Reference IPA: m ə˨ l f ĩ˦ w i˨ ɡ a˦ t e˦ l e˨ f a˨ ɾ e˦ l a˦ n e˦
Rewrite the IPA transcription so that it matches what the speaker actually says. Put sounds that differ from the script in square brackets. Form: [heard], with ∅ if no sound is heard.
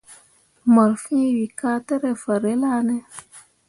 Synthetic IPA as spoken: m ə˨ [ɾ] f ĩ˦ w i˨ [k] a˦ t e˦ [ɾ] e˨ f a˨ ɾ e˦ l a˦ n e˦